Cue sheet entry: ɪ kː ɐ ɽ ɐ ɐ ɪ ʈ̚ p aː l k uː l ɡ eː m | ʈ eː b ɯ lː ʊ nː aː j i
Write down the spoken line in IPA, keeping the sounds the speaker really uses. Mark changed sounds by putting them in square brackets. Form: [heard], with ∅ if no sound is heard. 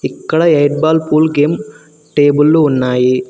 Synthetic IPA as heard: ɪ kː ɐ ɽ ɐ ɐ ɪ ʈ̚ [b] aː l [p] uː l ɡ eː m | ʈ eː b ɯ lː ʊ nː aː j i